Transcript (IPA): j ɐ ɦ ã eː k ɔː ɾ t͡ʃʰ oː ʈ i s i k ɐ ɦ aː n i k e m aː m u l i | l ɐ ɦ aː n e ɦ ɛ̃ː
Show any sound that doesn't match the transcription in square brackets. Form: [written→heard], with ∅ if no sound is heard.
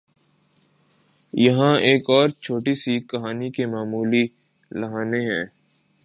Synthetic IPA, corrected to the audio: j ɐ ɦ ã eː k ɔː ɾ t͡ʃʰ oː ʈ i s i k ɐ ɦ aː n i k e m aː m [u→uː] l i | l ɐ ɦ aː n e ɦ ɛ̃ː